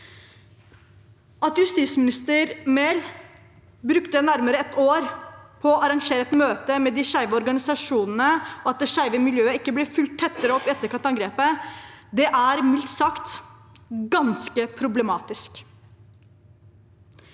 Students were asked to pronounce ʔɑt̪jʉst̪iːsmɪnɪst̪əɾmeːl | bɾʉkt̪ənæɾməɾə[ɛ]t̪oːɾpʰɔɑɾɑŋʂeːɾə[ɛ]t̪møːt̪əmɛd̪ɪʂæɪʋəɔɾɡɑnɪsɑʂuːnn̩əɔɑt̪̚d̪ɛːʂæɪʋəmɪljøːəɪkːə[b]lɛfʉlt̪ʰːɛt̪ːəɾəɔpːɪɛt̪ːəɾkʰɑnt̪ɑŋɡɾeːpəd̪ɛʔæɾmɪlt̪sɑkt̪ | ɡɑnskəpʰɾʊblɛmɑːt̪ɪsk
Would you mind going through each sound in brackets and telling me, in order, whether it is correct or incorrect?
correct, correct, correct

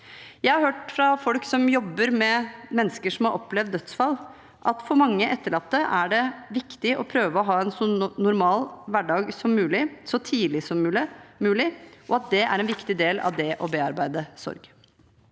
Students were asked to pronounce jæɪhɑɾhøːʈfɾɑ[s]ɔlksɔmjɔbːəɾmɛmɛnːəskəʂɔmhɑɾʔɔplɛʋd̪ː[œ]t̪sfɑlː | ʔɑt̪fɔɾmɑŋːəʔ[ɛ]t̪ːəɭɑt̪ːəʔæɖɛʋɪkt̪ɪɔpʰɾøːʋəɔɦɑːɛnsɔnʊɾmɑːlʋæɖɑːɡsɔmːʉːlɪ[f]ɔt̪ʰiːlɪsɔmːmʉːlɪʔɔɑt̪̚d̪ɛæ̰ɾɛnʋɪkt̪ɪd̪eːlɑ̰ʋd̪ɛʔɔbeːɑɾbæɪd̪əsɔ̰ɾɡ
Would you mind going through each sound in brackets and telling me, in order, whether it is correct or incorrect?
incorrect, correct, correct, incorrect

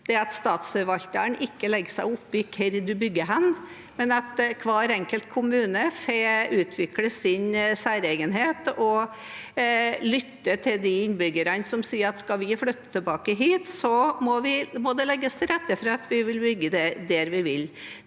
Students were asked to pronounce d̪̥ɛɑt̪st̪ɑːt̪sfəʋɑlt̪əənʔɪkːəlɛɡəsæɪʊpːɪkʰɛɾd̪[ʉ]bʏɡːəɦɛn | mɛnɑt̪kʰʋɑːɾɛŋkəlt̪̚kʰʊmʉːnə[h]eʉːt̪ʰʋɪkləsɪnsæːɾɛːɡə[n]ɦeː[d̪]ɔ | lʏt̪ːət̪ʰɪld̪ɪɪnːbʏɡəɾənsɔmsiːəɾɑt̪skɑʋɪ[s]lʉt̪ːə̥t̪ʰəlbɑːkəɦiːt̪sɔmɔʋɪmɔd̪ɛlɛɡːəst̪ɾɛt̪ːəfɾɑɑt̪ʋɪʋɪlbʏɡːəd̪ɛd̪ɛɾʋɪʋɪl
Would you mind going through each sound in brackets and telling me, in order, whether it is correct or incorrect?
correct, incorrect, correct, incorrect, incorrect

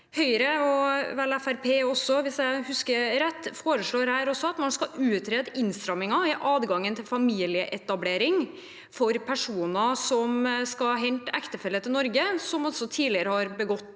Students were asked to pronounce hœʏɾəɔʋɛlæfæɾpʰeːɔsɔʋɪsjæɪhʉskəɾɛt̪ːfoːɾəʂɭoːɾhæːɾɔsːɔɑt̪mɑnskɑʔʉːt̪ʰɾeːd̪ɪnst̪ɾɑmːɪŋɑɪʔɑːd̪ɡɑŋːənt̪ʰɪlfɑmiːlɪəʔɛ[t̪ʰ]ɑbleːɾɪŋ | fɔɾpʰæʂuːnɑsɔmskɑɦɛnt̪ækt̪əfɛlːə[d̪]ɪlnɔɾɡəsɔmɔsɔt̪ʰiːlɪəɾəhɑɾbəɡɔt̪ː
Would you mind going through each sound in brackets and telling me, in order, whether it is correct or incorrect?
incorrect, incorrect

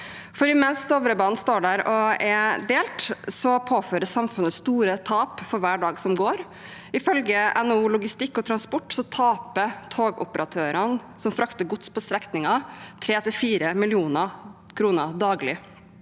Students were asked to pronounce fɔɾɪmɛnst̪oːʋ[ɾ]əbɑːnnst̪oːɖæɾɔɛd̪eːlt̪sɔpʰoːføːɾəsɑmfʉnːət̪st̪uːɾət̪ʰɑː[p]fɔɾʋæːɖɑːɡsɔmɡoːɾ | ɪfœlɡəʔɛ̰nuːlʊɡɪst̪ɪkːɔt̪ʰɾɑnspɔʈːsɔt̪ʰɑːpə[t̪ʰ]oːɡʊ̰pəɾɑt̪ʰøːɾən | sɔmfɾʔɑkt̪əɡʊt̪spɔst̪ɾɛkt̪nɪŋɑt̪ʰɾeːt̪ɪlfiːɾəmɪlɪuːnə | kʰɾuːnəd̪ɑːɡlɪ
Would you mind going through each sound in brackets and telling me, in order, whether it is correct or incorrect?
correct, correct, correct

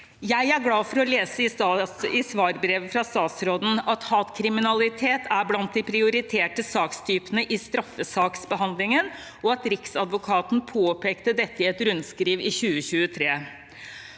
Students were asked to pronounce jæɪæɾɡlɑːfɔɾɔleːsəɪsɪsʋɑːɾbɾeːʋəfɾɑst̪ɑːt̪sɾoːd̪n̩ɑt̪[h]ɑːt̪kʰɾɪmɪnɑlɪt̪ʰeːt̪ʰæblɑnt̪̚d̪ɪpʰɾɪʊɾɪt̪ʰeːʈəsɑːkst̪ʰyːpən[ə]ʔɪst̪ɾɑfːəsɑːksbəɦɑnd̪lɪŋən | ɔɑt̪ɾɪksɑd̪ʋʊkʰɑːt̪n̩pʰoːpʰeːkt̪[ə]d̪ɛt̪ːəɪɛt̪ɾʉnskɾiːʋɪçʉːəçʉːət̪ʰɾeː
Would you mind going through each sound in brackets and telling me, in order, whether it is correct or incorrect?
correct, correct, correct

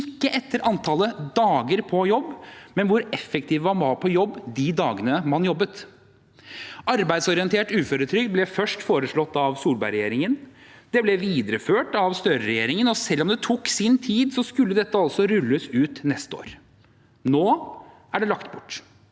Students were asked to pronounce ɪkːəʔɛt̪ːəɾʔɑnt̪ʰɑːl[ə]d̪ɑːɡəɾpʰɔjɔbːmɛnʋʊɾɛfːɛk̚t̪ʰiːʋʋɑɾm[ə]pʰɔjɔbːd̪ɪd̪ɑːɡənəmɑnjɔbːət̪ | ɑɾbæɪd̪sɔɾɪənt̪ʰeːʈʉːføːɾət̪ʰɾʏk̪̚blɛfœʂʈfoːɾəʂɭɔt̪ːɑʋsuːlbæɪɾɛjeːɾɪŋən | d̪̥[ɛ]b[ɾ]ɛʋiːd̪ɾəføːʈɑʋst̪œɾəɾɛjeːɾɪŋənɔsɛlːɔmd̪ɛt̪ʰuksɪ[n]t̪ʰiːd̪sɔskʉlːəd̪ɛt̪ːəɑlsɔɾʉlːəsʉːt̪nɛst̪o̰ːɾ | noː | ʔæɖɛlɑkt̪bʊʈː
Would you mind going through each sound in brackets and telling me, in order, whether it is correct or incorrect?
correct, incorrect, correct, incorrect, correct

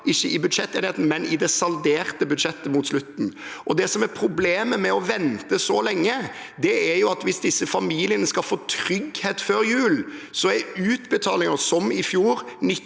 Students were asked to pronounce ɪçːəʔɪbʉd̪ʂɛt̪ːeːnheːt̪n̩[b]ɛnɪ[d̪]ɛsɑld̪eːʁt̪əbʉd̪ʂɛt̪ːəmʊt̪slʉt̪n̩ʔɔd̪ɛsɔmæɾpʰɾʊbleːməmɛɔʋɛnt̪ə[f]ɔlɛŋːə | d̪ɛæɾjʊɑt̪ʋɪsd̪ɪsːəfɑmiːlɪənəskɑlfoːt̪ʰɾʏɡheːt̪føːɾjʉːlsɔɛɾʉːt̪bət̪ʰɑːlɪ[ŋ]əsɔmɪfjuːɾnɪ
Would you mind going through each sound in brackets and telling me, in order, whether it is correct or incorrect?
incorrect, correct, incorrect, correct

